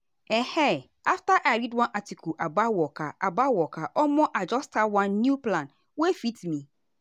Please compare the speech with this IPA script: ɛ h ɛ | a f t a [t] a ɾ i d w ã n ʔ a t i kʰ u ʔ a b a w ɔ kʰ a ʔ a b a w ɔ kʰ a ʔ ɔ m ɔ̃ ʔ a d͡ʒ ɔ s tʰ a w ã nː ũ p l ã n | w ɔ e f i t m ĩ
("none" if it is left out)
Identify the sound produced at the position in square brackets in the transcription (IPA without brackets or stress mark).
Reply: ʔ